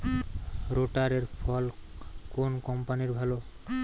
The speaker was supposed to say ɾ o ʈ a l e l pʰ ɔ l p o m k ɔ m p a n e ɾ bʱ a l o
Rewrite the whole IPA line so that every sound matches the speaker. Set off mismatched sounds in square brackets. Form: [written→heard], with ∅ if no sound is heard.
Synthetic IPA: ɾ o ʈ a [l→ɾ] e [l→ɾ] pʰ ɔ l [p→k] o [m→n] k ɔ m p a n [e→i] ɾ bʱ a l o